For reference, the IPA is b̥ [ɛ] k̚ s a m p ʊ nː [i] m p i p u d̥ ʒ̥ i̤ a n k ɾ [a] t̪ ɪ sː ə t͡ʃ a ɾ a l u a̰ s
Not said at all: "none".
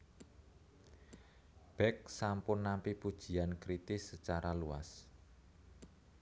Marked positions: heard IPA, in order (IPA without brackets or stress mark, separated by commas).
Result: ɛ, a, i